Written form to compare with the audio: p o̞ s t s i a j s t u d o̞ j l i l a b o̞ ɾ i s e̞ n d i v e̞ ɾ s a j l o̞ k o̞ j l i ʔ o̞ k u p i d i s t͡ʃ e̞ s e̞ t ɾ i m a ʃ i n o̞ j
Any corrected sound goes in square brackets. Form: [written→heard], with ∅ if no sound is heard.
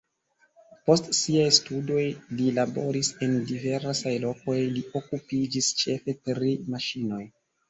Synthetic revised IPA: p o̞ s t s i a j s t u d o̞ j l i l a b o̞ ɾ i s e̞ n d i v e̞ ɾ s a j l o̞ k o̞ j l i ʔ o̞ k u p i [d→d͡ʒ] i s t͡ʃ e̞ [s→f] e̞ t ɾ i m a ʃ i n o̞ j